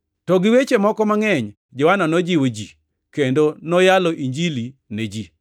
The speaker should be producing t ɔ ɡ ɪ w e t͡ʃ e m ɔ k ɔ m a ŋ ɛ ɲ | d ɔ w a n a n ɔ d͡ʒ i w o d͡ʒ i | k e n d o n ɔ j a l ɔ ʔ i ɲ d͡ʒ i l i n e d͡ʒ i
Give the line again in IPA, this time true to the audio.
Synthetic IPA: t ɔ ɡ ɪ w e t͡ʃ e m ɔ k ɔ m a ŋ ɛ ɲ | d͡ʒ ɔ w a n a n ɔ d͡ʒ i w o d͡ʒ i | k e n d o n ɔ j a l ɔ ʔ i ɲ d͡ʒ i l i n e d͡ʒ i